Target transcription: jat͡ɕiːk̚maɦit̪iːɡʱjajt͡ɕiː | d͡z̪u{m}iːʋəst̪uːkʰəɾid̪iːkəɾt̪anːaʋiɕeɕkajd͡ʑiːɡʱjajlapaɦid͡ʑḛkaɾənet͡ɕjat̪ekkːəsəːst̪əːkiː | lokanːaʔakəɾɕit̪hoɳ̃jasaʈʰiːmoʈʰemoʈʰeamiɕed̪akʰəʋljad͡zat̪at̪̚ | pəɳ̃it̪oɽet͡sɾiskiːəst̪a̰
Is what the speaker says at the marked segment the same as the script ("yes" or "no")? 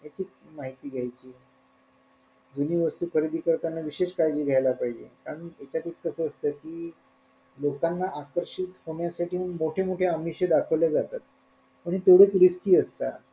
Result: no